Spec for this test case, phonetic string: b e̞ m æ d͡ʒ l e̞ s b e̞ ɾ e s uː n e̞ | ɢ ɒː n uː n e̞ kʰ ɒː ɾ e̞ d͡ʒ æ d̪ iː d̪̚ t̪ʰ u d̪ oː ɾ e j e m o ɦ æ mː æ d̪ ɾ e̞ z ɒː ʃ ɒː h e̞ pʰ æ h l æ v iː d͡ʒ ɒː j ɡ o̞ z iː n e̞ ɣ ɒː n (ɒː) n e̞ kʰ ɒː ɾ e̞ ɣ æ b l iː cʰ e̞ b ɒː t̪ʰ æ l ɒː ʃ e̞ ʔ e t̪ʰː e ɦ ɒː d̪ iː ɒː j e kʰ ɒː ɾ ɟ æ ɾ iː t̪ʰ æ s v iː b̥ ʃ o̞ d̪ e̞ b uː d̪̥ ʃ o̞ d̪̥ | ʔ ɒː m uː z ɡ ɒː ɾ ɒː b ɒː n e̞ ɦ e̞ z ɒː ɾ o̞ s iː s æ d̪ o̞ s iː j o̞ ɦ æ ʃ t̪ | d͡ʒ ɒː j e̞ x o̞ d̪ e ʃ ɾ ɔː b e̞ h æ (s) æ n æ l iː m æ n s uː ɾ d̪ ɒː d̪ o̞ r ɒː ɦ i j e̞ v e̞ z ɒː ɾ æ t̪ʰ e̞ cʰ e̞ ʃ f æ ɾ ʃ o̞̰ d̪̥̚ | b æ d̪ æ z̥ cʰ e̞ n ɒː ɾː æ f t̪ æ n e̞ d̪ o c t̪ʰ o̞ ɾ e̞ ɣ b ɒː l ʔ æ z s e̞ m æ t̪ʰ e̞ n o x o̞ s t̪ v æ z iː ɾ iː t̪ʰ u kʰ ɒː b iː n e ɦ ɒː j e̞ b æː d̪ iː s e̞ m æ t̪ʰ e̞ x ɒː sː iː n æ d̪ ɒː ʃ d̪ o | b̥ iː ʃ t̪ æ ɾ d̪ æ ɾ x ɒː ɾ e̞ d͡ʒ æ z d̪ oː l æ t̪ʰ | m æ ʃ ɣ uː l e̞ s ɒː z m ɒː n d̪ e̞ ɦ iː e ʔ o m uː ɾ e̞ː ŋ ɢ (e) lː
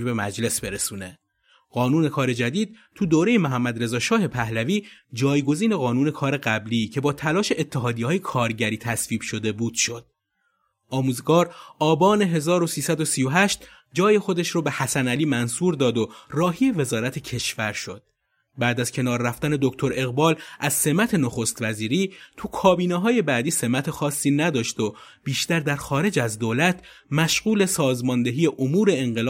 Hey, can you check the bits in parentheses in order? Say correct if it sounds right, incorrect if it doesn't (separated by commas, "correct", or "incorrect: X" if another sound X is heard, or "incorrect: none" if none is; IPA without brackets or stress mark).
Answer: incorrect: uː, correct, correct